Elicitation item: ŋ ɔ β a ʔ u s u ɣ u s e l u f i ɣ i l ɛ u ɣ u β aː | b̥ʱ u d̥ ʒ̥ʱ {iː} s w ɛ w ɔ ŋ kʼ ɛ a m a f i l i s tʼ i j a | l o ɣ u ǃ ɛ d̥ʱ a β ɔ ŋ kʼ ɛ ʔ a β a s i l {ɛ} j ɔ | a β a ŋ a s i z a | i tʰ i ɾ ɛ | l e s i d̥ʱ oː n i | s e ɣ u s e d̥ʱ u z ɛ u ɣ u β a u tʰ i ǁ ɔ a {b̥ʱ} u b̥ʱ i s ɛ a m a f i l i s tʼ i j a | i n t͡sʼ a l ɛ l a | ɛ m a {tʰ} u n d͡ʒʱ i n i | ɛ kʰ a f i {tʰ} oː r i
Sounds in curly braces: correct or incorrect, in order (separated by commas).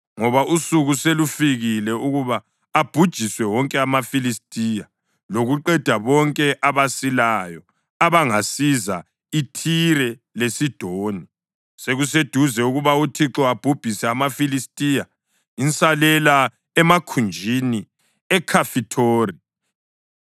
incorrect, incorrect, correct, incorrect, correct